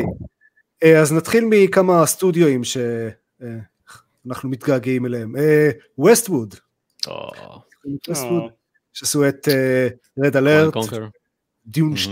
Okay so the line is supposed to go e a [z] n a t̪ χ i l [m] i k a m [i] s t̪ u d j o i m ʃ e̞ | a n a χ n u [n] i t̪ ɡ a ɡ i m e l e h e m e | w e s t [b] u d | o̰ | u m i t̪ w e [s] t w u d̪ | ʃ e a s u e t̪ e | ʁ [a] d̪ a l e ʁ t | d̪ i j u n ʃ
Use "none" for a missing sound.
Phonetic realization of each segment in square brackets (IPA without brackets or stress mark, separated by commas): z, m, a, m, w, s, e